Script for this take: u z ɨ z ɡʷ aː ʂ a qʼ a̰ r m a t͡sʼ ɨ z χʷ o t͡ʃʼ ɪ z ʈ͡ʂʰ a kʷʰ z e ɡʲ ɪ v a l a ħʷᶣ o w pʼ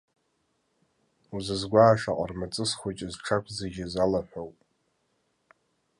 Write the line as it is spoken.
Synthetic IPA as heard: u z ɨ z ɡʷ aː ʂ a qʼ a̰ r m a t͡sʼ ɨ s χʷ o t͡ʃʼ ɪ z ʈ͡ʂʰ a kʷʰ z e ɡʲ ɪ z a l a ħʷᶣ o w pʼ